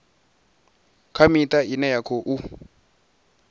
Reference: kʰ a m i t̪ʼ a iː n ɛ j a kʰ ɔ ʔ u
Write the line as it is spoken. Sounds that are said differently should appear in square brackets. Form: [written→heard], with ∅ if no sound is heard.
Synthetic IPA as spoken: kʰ a m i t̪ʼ a [iː→i] n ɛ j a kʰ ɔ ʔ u